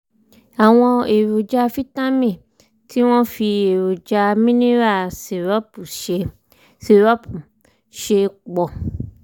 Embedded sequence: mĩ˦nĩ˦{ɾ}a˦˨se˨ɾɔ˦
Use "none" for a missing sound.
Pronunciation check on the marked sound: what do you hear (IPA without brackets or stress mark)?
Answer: ɾ